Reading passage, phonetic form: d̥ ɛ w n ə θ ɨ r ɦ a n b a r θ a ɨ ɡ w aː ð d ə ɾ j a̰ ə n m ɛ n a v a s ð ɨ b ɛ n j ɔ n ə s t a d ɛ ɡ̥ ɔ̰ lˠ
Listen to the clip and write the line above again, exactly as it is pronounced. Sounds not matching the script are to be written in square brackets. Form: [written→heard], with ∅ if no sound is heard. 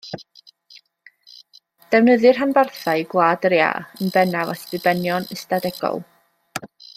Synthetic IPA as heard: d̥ ɛ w n ə [θ→ð] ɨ r ɦ a n b a r θ a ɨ ɡ w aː [ð→∅] d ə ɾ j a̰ ə n [m→b] ɛ n a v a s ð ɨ b ɛ n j ɔ n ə s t a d ɛ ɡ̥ ɔ̰ lˠ